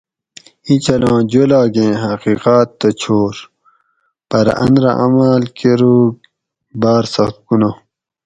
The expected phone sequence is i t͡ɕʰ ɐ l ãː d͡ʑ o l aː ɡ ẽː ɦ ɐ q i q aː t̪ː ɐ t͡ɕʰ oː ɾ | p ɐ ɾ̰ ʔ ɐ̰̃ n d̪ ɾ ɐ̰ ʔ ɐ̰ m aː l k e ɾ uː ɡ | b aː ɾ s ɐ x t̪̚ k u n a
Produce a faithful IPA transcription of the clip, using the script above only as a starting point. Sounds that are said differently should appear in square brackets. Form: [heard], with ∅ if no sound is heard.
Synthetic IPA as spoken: i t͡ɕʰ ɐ l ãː d͡ʑ o l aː ɡ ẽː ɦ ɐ q i q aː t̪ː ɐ t͡ɕʰ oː ɾ | p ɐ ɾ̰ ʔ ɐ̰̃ n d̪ ɾ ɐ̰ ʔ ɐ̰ m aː l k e ɾ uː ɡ | b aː ɾ s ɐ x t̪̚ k u n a